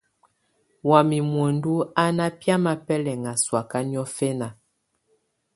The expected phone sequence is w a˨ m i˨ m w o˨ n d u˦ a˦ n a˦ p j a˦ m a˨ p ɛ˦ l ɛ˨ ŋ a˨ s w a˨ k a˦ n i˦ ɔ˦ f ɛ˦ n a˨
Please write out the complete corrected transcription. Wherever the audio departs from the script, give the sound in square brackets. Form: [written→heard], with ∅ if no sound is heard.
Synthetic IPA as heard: w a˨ m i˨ m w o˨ n d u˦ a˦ n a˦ p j a˦ m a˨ p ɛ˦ l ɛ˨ ŋ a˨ s w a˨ k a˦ n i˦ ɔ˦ f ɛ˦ n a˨